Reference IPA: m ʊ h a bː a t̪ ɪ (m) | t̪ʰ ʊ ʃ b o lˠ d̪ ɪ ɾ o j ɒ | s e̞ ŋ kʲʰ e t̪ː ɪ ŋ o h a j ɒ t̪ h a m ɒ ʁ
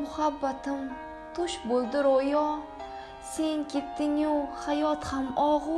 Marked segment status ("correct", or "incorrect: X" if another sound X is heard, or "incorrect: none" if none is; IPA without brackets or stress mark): correct